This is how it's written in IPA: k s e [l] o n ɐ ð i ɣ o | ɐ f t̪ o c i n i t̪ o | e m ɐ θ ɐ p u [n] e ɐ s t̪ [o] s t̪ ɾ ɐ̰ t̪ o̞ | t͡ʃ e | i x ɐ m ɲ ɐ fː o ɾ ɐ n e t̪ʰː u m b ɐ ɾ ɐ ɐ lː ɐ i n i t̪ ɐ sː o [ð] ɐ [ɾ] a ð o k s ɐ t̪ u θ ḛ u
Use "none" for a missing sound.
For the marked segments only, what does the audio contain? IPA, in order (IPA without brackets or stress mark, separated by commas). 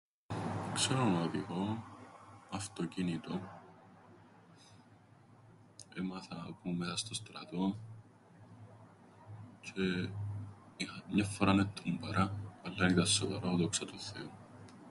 ɾ, m, o, v, ɾ